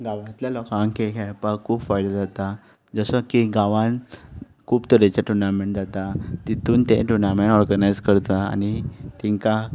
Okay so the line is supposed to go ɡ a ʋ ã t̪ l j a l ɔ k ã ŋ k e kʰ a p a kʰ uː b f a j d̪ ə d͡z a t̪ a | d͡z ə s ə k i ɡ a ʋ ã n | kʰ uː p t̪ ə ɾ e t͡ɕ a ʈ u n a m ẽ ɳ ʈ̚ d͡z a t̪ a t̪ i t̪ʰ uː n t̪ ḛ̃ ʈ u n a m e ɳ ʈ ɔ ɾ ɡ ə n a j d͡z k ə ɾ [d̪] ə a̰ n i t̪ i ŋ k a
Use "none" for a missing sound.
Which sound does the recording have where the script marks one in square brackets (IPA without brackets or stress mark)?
t̪